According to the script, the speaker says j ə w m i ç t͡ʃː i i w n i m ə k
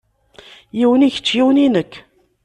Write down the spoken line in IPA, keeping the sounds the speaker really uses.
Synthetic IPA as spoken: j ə w n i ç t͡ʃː j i w n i n ə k